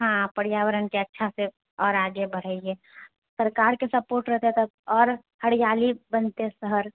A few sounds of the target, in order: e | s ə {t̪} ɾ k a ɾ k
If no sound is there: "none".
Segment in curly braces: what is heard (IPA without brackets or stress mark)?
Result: none